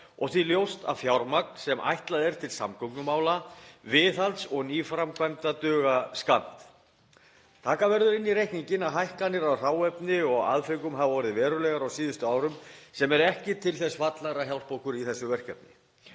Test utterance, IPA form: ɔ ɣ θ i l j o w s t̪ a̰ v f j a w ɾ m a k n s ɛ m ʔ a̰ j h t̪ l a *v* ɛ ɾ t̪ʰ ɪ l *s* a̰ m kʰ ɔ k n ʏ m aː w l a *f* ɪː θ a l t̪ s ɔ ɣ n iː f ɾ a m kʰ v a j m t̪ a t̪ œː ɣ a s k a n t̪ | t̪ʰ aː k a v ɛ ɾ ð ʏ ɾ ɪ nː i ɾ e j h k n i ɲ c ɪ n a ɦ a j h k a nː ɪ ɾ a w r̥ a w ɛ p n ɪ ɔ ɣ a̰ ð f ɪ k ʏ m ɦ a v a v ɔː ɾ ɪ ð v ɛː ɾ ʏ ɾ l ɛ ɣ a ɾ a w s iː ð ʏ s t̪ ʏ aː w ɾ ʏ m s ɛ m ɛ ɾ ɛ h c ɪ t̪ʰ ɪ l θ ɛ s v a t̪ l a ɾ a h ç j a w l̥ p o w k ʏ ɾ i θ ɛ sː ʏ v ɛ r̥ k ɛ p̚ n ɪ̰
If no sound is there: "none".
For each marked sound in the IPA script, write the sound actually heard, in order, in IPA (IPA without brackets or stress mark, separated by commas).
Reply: ð, s, v